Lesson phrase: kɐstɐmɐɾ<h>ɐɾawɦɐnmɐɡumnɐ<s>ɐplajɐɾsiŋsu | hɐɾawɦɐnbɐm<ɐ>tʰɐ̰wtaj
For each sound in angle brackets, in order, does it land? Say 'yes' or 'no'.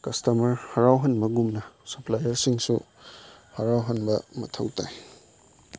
yes, yes, yes

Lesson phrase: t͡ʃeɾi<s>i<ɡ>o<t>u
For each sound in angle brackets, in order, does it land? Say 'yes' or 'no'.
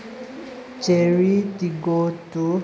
no, yes, yes

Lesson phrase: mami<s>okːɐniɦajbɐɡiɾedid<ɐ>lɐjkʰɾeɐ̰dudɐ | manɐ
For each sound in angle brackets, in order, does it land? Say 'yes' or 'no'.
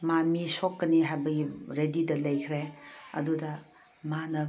yes, yes

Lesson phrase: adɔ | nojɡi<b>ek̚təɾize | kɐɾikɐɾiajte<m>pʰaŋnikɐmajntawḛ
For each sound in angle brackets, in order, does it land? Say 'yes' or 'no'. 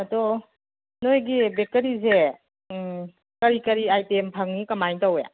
yes, yes

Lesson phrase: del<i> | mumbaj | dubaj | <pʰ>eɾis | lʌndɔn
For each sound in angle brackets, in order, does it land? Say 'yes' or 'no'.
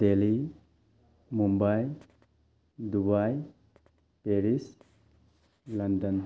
yes, no

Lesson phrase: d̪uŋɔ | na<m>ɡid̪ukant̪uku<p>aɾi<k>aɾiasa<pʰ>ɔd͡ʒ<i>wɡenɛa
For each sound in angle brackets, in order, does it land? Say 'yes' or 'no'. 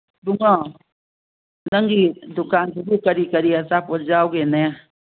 no, no, yes, no, no

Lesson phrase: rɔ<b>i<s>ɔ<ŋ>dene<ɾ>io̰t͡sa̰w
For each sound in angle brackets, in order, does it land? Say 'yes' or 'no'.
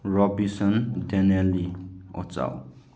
yes, yes, no, no

